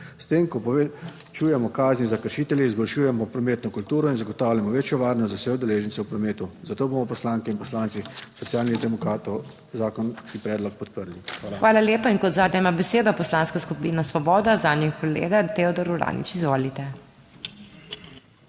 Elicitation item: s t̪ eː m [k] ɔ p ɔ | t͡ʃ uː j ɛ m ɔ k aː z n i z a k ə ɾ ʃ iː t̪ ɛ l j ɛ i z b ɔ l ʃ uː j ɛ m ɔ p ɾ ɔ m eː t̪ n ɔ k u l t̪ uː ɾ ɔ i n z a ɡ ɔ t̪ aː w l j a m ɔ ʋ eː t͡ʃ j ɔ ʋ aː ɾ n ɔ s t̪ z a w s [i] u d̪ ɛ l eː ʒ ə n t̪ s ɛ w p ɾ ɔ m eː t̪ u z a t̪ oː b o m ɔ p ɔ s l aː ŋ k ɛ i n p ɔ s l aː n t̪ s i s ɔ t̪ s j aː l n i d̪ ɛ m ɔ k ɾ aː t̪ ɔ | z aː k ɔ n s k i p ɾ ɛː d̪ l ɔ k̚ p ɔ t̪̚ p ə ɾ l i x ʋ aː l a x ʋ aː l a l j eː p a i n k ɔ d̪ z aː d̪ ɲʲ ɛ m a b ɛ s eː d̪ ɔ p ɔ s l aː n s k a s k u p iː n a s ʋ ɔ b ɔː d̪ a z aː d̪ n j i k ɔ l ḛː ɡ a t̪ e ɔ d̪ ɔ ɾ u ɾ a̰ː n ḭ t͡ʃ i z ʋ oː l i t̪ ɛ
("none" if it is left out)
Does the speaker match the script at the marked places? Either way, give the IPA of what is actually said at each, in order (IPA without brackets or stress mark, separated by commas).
k, ɛ